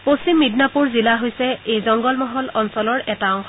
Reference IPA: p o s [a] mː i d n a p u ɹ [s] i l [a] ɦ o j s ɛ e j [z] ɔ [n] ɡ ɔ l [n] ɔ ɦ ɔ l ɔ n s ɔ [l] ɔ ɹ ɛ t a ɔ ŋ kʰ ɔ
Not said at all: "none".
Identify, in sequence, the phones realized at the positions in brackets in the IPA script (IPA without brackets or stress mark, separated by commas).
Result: i, z, a, z, ŋ, m, l